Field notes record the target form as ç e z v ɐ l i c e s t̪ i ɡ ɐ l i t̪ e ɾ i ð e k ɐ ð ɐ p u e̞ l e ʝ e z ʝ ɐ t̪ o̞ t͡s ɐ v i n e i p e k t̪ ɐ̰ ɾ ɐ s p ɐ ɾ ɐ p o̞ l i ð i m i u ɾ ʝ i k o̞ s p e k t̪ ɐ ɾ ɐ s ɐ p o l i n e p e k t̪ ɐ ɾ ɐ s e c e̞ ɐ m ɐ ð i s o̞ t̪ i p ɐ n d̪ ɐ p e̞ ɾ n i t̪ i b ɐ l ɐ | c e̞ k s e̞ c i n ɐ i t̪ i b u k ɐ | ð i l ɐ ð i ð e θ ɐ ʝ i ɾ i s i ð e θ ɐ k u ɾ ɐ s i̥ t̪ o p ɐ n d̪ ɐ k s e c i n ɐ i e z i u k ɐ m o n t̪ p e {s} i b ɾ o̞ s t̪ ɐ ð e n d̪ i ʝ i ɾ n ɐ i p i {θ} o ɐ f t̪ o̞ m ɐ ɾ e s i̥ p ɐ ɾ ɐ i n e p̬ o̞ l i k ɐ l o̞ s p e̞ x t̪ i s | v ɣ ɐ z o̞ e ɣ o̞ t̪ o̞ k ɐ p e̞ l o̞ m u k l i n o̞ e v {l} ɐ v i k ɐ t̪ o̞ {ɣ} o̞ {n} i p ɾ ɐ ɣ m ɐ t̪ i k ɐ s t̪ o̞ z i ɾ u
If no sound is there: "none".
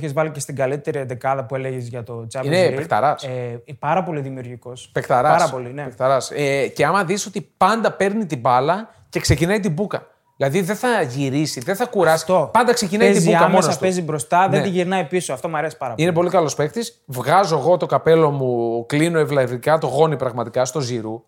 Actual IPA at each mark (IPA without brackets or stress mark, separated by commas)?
z, s, l, ɣ, n